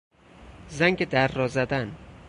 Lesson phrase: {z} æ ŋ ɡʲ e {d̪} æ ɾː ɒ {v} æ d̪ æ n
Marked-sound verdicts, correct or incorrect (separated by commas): correct, correct, incorrect